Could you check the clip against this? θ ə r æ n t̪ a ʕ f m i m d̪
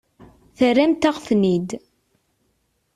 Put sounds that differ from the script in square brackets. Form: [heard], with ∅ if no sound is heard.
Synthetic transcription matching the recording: θ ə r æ [m] t̪ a [ʁ] f [n] i [∅] d̪